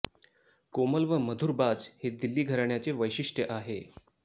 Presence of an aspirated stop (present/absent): absent